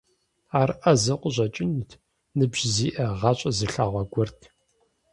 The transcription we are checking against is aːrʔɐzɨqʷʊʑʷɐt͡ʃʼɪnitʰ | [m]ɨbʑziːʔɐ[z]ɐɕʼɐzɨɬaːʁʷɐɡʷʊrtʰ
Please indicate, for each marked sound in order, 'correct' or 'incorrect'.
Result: incorrect: n, incorrect: ʁ

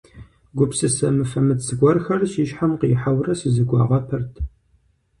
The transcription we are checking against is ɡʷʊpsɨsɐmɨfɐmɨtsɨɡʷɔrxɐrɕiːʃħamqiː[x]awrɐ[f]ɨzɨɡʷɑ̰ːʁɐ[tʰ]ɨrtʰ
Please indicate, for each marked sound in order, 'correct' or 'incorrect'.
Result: incorrect: ħ, incorrect: s, incorrect: pʰ

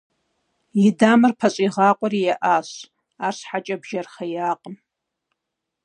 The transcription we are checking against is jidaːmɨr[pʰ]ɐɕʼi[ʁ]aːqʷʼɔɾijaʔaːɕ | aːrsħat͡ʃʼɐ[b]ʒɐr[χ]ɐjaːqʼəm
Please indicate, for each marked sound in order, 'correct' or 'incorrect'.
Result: correct, correct, correct, correct

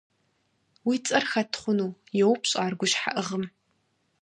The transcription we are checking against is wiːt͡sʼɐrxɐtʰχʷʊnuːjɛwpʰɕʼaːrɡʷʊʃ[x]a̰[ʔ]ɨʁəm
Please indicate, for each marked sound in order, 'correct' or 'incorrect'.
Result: incorrect: ħ, correct

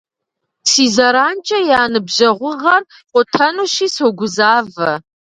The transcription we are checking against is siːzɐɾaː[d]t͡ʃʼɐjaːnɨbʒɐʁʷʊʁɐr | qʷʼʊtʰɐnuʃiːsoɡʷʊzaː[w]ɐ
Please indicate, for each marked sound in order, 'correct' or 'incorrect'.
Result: incorrect: n, incorrect: v

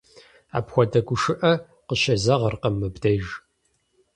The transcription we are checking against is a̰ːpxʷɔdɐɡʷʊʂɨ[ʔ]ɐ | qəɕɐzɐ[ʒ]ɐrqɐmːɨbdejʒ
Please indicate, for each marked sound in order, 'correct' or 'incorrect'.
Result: correct, incorrect: ʁ

